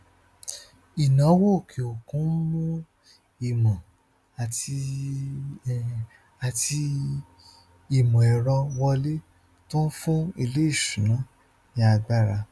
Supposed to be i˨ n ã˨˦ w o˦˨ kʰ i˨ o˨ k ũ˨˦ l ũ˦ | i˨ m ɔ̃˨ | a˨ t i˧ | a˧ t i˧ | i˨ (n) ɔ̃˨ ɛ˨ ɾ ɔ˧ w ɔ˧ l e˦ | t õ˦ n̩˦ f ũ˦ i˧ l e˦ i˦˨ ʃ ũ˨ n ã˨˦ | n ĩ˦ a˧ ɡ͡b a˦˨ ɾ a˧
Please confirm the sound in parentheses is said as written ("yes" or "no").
no